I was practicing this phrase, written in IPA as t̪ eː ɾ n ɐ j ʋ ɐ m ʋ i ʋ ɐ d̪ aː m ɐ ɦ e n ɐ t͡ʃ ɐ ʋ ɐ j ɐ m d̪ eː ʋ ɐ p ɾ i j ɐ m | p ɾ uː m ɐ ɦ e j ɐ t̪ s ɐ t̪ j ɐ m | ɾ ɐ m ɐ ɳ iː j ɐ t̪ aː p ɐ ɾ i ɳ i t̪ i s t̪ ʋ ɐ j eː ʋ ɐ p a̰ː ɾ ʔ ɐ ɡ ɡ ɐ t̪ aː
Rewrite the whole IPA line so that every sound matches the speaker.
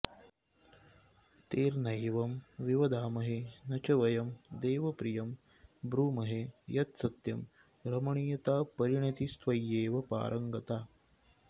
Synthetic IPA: t̪ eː ɾ n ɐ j ʋ ɐ m ʋ i ʋ ɐ d̪ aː m ɐ ɦ e n ɐ t͡ʃ ɐ ʋ ɐ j ɐ m d̪ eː ʋ ɐ p ɾ i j ɐ m | b ɾ uː m ɐ ɦ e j ɐ t̪ s ɐ t̪ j ɐ m | ɾ ɐ m ɐ ɳ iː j ɐ t̪ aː p ɐ ɾ i ɳ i t̪ i s t̪ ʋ ɐ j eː ʋ ɐ p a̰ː ɾ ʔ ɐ ŋ ɡ ɐ t̪ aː